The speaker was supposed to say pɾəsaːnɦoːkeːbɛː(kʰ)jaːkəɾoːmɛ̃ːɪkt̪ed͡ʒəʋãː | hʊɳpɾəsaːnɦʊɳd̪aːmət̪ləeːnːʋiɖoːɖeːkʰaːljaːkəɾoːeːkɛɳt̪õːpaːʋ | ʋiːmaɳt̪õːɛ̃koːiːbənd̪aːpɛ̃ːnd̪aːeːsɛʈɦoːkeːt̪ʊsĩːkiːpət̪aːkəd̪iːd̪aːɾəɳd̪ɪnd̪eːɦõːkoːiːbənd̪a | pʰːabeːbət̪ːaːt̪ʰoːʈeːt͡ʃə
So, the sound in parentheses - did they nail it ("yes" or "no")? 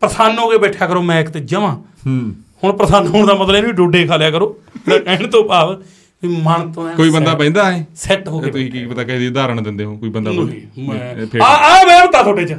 no